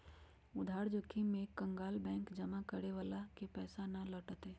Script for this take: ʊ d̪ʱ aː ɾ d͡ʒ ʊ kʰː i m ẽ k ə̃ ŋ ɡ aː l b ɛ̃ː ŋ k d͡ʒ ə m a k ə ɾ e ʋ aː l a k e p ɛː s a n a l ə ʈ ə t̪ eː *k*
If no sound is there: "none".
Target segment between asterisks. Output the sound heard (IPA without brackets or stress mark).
none